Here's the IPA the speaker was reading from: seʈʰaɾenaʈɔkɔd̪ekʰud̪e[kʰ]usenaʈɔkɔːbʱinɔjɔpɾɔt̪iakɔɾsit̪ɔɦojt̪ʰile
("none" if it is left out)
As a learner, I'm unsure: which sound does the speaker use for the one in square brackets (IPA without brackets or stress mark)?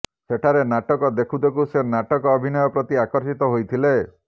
k